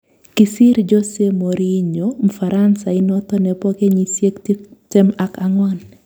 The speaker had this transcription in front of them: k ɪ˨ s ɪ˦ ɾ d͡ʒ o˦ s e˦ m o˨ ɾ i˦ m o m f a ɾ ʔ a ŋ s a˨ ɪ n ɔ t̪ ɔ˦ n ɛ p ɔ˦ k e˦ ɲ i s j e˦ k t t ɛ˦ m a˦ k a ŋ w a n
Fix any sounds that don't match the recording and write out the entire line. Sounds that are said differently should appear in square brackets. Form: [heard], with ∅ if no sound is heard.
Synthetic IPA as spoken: k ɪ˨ s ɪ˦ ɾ d͡ʒ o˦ s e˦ m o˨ ɾ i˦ [ɲ] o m f a ɾ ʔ a [n] s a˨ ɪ n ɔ t̪ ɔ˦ n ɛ p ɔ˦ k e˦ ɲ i s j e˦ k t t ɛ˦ m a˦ k a ŋ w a n